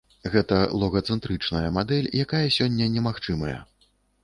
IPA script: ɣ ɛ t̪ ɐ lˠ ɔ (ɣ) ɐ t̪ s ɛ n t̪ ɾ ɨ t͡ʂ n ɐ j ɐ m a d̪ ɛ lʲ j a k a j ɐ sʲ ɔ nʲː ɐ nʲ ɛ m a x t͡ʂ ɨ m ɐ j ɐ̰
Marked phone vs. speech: correct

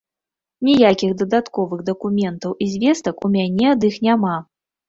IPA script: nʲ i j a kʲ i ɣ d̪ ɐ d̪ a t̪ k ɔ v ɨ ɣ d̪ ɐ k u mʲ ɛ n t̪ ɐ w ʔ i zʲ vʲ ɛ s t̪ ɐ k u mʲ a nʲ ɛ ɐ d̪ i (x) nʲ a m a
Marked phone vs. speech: correct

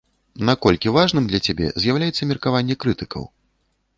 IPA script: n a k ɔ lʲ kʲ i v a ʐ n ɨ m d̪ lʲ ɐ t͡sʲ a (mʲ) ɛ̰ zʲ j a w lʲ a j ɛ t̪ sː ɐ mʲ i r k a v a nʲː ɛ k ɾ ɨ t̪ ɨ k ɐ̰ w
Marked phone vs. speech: incorrect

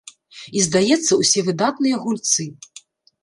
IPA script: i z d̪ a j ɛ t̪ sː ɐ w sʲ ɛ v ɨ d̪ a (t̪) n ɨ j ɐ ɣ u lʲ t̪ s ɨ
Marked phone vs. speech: correct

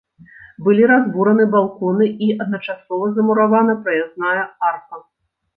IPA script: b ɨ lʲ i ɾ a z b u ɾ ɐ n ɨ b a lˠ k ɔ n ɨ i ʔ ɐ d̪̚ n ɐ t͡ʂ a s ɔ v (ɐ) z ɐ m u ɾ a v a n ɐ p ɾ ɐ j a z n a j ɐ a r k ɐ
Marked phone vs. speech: correct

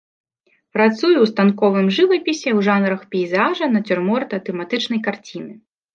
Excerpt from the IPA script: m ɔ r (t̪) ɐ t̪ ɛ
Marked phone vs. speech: correct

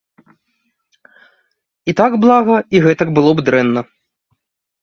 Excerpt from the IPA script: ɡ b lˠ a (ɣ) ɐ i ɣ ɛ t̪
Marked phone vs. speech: correct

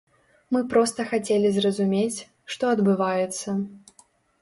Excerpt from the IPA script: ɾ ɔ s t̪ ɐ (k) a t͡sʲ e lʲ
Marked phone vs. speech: incorrect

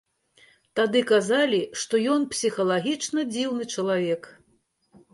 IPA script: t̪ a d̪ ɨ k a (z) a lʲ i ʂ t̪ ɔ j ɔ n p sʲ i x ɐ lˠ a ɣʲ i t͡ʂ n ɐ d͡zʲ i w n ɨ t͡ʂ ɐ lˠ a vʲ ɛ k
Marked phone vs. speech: correct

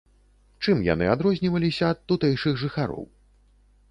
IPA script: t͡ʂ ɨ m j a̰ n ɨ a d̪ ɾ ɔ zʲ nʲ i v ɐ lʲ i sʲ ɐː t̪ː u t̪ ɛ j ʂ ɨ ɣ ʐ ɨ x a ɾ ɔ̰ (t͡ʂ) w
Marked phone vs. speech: incorrect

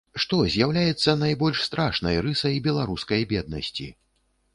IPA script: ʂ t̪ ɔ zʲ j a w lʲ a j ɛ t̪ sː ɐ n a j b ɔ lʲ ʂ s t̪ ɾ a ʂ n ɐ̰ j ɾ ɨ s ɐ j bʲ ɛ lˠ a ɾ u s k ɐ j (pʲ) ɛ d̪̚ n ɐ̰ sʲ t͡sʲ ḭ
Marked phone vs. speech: incorrect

